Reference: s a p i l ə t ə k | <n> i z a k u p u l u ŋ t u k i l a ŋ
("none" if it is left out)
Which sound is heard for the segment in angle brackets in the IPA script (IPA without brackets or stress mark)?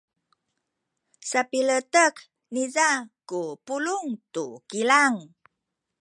n